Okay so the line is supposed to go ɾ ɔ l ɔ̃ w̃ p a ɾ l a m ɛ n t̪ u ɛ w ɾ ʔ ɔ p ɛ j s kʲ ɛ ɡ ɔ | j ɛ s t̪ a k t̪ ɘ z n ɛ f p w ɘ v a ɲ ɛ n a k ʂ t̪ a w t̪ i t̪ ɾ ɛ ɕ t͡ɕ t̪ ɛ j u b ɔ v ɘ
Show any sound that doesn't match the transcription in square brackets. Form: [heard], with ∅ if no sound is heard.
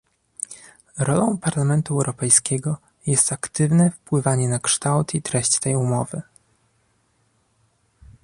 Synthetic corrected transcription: ɾ ɔ l ɔ̃ w̃ p a ɾ l a m ɛ n t̪ u ɛ w ɾ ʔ ɔ p ɛ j s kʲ ɛ ɡ ɔ | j ɛ s t̪ a k t̪ ɘ [v] n ɛ f p w ɘ v a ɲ ɛ n a k ʂ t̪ a w t̪ i t̪ ɾ ɛ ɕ t͡ɕ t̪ ɛ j u [m] ɔ v ɘ